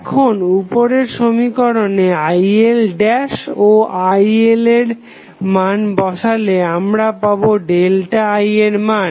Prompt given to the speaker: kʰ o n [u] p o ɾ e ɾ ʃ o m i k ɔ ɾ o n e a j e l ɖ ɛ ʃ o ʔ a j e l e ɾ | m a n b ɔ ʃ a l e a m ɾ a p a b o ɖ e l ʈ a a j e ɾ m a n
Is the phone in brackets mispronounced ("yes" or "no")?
no